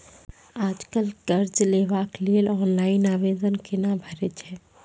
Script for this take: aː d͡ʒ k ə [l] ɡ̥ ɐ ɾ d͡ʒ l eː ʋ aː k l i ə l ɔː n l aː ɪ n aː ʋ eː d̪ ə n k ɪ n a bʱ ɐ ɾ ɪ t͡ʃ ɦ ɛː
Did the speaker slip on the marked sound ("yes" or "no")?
no